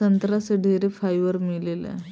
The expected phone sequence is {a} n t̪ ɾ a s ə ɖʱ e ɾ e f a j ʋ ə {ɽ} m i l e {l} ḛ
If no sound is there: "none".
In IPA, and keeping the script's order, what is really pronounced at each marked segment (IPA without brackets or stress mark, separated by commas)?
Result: ə, ɾ, l